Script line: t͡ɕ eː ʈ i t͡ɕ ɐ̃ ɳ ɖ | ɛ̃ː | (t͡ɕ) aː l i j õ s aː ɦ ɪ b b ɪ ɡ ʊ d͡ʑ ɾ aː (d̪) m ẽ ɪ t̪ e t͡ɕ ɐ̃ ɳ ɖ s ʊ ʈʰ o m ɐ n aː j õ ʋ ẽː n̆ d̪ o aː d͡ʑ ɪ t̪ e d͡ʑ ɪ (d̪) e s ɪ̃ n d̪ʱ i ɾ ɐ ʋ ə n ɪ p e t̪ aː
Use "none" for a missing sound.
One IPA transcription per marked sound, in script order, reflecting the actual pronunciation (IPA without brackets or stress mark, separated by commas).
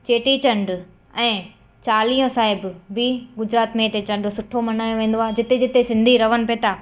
t͡ɕ, t̪, t̪